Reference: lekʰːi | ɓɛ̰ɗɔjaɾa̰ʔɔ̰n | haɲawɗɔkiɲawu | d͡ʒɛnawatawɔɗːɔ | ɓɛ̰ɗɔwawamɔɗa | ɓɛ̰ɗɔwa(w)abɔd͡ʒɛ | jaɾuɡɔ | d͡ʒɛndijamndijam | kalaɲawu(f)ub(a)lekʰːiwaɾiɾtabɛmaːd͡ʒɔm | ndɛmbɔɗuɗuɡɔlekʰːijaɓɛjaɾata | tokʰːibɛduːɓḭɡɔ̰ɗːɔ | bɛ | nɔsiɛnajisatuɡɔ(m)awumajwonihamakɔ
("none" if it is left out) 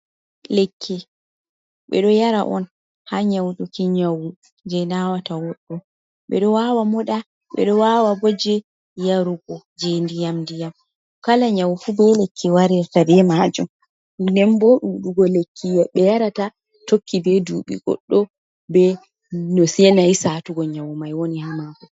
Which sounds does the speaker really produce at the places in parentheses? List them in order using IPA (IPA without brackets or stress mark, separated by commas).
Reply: w, f, ɛ, ɲ